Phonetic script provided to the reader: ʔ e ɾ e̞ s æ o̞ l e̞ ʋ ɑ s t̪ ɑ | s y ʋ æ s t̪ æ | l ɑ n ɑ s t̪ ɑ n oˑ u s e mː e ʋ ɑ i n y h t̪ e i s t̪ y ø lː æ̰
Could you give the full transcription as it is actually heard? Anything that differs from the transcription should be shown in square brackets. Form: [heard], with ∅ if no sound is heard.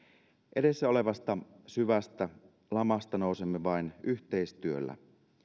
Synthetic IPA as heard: ʔ e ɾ e̞ [sː] æ o̞ l e̞ ʋ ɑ s t̪ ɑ | s y ʋ æ s t̪ æ | l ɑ [m] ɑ s t̪ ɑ n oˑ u s e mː e ʋ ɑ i n y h t̪ e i s t̪ y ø lː æ̰